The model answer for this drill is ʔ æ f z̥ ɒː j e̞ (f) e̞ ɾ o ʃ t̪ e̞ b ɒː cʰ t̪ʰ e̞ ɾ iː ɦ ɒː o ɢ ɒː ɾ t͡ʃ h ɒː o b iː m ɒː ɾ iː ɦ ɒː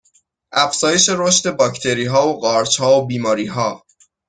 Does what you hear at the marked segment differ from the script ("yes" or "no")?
yes